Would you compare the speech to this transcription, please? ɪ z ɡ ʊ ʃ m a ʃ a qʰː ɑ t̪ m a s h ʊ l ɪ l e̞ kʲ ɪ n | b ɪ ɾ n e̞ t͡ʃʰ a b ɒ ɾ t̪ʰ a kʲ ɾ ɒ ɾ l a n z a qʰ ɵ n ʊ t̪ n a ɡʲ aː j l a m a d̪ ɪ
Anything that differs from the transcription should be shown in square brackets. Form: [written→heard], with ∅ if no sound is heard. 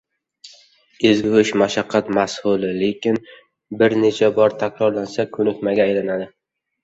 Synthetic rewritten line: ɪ z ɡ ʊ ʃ m a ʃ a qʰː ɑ t̪ m a s h ʊ l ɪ l e̞ kʲ ɪ n | b ɪ ɾ n e̞ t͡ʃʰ a b ɒ ɾ t̪ʰ a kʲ ɾ ɒ ɾ l a n [z→s] a [qʰ→kʰ] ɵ n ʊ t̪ [n→m] a ɡʲ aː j l a [m→n] a d̪ ɪ